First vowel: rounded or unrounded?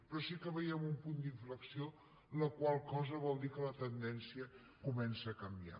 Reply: rounded